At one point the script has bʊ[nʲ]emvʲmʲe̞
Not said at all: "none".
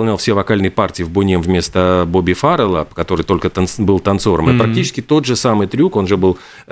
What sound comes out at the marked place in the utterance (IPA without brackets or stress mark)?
nʲ